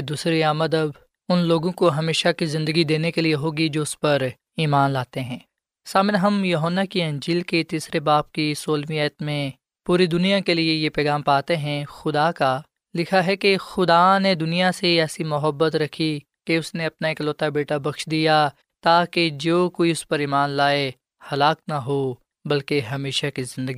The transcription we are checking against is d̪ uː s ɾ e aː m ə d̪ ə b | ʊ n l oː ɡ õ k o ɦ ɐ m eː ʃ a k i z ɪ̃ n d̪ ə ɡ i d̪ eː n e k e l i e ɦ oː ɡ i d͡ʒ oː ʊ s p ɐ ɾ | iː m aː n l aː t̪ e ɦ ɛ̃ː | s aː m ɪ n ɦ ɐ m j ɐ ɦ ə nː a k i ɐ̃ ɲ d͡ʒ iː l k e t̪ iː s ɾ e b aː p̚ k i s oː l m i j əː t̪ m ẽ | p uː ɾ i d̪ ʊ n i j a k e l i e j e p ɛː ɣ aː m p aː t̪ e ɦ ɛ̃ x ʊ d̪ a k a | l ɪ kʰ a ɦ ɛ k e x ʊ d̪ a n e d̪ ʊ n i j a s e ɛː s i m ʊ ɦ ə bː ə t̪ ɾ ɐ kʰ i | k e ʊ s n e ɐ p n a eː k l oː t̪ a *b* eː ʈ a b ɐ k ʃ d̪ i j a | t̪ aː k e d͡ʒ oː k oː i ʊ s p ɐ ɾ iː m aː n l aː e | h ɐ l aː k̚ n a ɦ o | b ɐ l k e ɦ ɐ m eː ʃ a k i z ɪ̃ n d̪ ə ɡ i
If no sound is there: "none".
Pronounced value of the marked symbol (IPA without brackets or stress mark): b